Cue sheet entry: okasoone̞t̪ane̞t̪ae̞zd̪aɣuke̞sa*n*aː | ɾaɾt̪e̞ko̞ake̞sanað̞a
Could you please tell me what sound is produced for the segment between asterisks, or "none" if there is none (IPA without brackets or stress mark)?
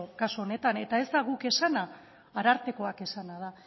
n